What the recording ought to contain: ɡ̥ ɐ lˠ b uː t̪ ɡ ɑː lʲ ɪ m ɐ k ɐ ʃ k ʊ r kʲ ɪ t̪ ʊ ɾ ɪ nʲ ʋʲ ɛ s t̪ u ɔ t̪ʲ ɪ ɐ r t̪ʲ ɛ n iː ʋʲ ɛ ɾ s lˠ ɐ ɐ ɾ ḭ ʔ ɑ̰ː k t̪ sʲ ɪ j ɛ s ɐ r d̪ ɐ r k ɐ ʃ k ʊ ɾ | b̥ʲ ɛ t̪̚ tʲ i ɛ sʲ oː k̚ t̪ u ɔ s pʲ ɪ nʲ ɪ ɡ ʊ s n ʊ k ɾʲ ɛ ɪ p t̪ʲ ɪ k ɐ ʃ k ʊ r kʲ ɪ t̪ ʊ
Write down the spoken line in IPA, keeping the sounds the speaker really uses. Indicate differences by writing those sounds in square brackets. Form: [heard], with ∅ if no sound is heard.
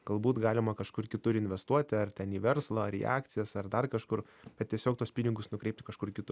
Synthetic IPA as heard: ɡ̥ ɐ lˠ b uː t̪ ɡ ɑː lʲ ɪ m ɐ k ɐ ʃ k ʊ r kʲ ɪ t̪ ʊ ɾ ɪ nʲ ʋʲ ɛ s t̪ u ɔ t̪ʲ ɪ ɐ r t̪ʲ ɛ n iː ʋʲ ɛ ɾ s lˠ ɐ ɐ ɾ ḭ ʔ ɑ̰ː k t̪ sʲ ɪ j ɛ s ɐ r d̪ ɐ r k ɐ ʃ k ʊ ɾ | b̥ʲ ɛ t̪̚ tʲ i ɛ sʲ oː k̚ t̪ u ɔ s pʲ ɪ nʲ ɪ ɡ ʊ s n ʊ k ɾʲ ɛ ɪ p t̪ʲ ɪ k ɐ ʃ k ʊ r kʲ ɪ t̪ ʊ